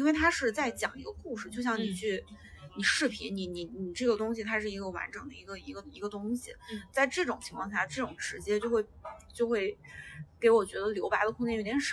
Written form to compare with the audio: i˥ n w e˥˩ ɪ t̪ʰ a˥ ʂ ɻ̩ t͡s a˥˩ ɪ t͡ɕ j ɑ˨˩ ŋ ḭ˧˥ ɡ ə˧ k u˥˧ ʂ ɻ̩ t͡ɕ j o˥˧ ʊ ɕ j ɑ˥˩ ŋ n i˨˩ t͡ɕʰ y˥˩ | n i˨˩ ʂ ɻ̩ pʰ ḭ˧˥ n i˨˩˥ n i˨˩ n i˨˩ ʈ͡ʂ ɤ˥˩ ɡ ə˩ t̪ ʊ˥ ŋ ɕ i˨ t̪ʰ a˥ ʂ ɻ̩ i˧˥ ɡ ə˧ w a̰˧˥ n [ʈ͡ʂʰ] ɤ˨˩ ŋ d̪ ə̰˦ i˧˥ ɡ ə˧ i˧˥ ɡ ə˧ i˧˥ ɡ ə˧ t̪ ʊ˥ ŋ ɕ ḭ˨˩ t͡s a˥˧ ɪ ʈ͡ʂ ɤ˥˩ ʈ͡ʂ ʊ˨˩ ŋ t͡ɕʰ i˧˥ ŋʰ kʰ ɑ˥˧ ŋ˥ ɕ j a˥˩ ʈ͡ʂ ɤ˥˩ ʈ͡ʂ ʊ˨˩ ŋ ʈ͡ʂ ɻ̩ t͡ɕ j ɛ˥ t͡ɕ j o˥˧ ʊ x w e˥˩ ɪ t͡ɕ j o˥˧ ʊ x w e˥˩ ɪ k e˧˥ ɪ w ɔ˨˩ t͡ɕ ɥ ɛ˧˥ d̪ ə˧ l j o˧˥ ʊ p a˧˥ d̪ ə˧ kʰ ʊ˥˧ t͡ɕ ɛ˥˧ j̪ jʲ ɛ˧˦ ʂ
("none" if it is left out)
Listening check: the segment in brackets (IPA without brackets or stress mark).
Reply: ʈ͡ʂ